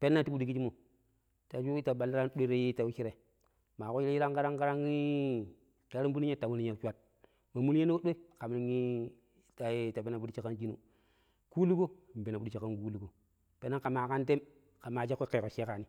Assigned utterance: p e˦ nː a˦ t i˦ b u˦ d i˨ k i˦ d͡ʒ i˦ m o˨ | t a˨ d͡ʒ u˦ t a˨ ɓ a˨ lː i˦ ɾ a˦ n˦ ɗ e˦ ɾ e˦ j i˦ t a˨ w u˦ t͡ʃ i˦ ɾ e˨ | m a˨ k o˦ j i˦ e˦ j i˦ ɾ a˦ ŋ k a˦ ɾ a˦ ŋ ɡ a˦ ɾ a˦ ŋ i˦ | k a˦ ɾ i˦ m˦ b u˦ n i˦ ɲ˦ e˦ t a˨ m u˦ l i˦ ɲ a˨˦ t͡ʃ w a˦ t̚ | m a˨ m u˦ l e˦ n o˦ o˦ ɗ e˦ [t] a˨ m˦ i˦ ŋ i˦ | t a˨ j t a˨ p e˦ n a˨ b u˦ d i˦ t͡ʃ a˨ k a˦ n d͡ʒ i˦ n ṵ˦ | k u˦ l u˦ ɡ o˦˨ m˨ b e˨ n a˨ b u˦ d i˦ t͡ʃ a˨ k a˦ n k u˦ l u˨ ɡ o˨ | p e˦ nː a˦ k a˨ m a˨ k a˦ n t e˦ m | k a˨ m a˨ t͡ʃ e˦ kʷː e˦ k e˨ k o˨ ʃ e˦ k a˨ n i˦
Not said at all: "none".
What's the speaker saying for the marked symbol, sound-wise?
k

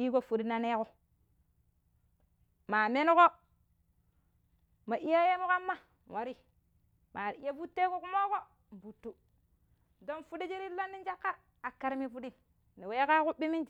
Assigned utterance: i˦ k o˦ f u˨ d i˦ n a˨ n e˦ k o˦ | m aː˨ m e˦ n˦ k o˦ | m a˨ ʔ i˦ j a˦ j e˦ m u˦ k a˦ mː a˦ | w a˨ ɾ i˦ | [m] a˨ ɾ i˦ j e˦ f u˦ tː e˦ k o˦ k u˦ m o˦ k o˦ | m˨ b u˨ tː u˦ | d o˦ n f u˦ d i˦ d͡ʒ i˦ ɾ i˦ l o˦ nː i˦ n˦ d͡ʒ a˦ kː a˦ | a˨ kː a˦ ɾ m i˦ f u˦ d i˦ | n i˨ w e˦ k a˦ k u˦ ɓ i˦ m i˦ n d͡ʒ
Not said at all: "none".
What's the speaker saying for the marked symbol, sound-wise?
m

